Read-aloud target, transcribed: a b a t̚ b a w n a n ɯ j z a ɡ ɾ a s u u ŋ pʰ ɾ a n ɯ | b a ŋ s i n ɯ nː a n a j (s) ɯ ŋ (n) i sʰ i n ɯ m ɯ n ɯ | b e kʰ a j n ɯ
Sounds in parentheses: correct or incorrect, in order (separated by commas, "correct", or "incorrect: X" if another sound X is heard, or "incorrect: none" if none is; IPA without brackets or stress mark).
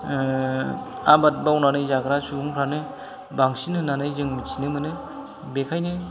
incorrect: z, incorrect: m